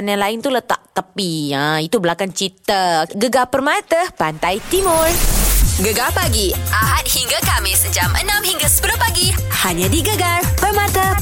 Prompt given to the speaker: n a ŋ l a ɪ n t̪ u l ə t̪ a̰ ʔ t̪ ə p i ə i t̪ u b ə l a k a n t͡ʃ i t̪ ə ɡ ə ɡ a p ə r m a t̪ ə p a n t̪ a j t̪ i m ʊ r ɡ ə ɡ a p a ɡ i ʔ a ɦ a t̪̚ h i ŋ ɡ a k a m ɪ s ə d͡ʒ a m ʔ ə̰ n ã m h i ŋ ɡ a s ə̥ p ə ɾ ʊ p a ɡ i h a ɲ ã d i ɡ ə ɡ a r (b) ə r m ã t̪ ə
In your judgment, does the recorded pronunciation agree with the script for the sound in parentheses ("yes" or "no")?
no